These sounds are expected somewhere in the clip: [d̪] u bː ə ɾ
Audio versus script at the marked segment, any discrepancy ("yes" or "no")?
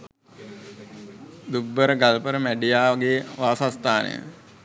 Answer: no